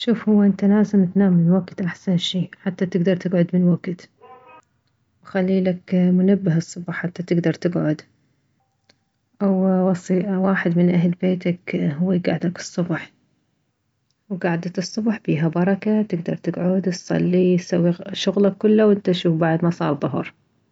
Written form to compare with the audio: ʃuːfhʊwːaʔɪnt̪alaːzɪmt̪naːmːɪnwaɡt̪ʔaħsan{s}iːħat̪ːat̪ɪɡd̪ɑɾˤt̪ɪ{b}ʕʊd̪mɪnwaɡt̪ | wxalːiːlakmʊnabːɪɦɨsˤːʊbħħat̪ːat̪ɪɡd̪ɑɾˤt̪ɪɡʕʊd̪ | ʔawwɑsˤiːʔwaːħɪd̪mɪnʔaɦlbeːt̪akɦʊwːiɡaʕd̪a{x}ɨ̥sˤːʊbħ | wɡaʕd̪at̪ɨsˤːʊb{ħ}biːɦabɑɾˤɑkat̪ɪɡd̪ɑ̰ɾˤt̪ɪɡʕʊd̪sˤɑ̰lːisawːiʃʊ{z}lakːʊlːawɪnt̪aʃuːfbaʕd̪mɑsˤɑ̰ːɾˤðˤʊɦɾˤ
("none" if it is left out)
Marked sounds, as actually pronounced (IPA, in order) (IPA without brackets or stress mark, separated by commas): ʃ, ɡ, k, ħ, ɣ